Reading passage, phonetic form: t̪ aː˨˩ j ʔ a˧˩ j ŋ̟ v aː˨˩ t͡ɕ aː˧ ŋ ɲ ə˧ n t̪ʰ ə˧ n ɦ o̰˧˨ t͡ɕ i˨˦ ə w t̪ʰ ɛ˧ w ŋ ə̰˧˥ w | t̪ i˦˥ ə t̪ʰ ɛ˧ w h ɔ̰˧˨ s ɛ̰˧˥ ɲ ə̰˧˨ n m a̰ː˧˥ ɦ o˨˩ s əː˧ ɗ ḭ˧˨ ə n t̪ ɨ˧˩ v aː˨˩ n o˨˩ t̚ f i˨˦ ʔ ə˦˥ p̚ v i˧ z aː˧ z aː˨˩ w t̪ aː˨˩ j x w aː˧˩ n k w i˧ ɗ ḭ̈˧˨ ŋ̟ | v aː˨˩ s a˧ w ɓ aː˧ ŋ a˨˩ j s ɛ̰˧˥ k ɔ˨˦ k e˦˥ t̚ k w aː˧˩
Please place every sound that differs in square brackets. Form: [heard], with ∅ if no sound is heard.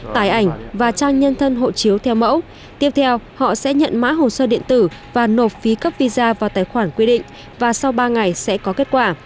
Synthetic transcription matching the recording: t̪ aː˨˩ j ʔ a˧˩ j ŋ̟ v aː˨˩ t͡ɕ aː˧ ŋ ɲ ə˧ n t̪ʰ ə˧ n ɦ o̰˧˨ t͡ɕ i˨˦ ə w t̪ʰ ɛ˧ w [m] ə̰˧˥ w | t̪ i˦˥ ə t̪ʰ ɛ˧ w h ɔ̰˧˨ s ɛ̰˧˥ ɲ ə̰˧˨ n m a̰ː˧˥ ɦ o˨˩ s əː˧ ɗ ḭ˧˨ ə n t̪ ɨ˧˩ v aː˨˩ n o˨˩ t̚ f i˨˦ [k] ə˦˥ p̚ v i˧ z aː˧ [v] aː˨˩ w t̪ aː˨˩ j x w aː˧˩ n k w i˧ ɗ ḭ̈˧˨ ŋ̟ | v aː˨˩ s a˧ w ɓ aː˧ ŋ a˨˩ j s ɛ̰˧˥ k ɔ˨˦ k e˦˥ t̚ k w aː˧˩